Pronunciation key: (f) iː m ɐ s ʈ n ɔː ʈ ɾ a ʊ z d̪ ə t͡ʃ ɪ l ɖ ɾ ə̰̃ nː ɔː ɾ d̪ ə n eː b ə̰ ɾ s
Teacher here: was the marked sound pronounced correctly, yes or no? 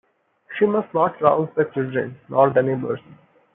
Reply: no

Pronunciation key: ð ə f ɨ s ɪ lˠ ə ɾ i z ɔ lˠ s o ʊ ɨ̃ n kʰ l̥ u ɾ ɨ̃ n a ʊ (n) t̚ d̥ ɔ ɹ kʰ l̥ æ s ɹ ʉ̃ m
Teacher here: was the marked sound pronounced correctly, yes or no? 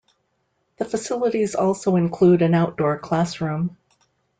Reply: no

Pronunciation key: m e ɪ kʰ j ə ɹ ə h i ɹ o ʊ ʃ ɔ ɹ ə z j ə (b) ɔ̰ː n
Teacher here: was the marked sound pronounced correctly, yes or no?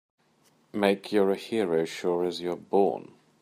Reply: yes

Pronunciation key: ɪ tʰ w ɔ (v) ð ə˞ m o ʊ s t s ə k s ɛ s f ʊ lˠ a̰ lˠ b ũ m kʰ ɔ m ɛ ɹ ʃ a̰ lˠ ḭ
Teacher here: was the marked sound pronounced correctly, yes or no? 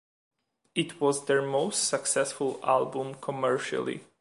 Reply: no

